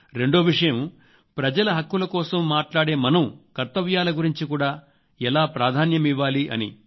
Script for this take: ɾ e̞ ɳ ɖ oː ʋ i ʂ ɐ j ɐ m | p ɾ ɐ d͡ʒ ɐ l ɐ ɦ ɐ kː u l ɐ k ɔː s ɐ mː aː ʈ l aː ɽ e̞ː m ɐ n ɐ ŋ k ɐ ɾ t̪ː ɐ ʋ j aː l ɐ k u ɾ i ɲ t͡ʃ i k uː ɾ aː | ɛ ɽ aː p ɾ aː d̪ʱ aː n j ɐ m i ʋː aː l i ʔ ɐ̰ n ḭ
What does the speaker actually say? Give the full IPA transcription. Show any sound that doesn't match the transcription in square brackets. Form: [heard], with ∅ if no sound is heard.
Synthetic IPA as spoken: ɾ e̞ ɳ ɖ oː ʋ i ʂ ɐ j ɐ m | p ɾ ɐ d͡ʒ ɐ l ɐ ɦ ɐ kː u l ɐ k ɔː s ɐ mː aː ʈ l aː ɽ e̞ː m ɐ n ɐ [m] k ɐ ɾ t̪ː ɐ ʋ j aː l ɐ [ɡ] u ɾ i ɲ t͡ʃ i k uː [ɽ] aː | ɛ [l] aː p ɾ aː d̪ʱ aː n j ɐ m i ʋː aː l i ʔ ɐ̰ n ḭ